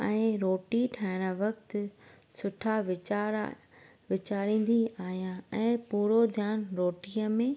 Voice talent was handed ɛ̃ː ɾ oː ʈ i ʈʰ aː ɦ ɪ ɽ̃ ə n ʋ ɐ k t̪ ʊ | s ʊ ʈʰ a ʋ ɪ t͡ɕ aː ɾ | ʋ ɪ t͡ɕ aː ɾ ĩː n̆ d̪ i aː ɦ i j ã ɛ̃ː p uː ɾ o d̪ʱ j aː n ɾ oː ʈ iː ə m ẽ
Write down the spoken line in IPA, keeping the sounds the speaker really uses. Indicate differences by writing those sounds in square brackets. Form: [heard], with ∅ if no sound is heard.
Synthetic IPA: ɛ̃ː ɾ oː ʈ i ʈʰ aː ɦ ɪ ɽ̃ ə [∅] ʋ ɐ k t̪ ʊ | s ʊ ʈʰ a ʋ ɪ t͡ɕ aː ɾ | ʋ ɪ t͡ɕ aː ɾ ĩː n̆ d̪ i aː ɦ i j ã ɛ̃ː p uː ɾ o d̪ʱ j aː n ɾ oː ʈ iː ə m ẽ